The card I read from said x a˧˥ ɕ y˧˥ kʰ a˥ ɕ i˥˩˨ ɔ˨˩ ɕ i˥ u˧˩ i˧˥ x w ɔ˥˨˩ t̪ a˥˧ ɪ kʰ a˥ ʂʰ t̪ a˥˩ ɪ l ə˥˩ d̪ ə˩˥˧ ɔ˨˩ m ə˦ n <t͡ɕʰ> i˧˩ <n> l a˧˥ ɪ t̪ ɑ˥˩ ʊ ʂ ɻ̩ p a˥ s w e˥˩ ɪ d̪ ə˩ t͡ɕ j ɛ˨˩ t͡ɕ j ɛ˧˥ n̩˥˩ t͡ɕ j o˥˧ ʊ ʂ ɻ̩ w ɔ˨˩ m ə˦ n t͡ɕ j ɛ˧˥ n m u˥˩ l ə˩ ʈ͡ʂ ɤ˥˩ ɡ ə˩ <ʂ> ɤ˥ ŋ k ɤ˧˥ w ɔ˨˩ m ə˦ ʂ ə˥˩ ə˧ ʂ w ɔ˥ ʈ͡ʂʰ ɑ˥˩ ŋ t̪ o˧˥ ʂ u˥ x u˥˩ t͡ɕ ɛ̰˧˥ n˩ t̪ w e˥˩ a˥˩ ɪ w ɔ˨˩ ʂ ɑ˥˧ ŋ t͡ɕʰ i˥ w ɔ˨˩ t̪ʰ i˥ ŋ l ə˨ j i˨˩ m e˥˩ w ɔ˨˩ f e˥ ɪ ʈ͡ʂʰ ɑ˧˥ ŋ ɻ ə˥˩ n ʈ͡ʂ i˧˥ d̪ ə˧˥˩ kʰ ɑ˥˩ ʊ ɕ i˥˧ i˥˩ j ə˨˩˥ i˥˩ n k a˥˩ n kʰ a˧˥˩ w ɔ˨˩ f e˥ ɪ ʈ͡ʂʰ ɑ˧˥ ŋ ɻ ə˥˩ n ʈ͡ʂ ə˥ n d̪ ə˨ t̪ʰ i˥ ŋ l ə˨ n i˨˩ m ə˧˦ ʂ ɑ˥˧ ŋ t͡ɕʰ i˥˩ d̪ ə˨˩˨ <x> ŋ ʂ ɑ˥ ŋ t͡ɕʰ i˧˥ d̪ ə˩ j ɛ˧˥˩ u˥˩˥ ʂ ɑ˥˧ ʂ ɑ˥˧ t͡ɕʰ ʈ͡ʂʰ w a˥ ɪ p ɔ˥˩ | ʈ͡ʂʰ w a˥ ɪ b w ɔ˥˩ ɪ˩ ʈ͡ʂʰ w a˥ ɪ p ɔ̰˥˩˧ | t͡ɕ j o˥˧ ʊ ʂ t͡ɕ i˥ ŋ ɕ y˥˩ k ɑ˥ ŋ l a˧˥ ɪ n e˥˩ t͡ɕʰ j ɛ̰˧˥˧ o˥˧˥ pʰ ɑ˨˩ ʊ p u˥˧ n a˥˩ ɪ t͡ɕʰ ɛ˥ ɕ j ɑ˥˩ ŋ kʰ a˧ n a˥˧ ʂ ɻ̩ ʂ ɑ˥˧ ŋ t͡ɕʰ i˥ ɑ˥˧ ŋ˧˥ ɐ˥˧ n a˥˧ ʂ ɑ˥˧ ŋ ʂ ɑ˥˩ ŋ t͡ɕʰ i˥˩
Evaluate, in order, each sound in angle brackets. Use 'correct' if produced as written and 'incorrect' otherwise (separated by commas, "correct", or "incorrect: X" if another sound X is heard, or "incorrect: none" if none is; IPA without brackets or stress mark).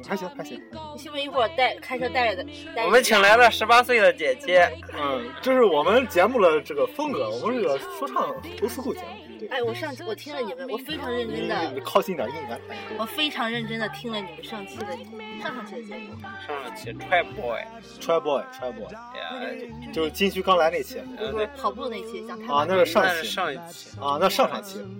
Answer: correct, incorrect: ŋ, incorrect: f, incorrect: ʂ